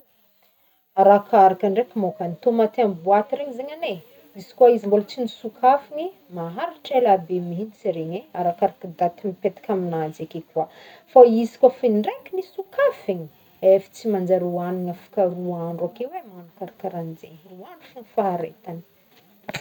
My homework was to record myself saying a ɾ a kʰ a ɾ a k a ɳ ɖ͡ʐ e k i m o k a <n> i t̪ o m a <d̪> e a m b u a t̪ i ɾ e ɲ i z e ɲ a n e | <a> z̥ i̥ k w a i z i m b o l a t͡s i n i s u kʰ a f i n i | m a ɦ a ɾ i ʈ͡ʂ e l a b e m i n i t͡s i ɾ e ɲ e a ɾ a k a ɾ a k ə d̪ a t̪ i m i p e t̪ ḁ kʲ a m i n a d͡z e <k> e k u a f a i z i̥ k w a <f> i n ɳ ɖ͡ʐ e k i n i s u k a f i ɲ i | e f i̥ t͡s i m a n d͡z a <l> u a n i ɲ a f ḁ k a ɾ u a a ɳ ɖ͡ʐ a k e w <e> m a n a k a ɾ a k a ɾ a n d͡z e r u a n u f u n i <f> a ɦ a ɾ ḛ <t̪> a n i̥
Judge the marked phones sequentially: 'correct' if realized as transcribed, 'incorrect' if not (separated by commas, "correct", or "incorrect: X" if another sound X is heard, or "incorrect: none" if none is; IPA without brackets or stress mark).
correct, incorrect: t̪, incorrect: i, correct, correct, incorrect: ɾ, correct, correct, correct